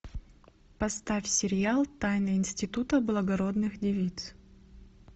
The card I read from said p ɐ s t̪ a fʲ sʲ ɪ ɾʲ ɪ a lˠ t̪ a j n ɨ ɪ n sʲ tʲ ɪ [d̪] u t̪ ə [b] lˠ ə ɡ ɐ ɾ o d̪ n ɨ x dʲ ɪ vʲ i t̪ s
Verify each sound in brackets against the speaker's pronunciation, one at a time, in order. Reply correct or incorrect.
incorrect, correct

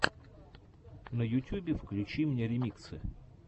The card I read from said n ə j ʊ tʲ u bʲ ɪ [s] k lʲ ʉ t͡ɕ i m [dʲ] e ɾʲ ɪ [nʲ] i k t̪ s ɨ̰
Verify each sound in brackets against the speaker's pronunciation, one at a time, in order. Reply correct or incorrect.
incorrect, incorrect, incorrect

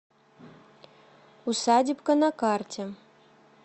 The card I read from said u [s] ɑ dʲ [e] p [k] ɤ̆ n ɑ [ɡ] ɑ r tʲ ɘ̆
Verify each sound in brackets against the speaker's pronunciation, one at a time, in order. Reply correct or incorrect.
correct, incorrect, correct, incorrect

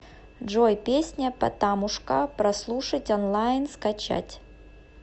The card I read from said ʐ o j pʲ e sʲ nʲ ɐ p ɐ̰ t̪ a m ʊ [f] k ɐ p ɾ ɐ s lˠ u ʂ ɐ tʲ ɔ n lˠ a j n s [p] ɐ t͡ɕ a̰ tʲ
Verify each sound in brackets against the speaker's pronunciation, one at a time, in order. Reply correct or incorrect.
incorrect, incorrect

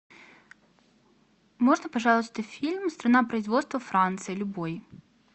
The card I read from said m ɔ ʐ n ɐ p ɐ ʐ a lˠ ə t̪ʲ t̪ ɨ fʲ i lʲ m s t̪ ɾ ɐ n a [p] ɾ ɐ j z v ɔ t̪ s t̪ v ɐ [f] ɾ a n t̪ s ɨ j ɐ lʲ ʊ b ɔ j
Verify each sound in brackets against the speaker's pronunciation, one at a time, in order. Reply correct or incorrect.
correct, correct

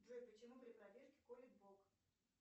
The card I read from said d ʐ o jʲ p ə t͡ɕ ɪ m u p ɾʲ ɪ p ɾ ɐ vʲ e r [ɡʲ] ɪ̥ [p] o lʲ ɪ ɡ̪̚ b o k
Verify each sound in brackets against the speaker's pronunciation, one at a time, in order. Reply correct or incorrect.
incorrect, incorrect

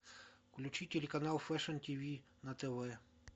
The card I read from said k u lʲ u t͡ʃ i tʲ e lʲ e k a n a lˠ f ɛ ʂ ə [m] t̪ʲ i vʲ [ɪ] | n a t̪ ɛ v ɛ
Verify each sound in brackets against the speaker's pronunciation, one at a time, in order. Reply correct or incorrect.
incorrect, incorrect

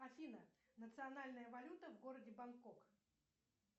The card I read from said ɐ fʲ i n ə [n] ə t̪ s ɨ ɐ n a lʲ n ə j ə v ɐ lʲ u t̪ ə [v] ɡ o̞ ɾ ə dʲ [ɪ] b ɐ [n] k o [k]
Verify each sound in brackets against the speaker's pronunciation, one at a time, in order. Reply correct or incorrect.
correct, correct, correct, correct, correct

